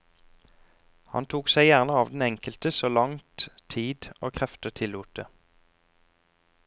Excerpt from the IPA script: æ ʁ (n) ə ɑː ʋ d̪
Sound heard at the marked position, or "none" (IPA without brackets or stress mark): n